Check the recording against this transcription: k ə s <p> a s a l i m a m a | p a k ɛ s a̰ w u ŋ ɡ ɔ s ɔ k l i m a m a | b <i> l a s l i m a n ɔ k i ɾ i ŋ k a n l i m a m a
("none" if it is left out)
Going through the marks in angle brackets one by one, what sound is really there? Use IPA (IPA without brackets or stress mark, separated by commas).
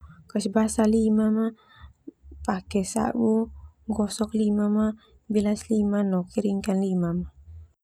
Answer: b, i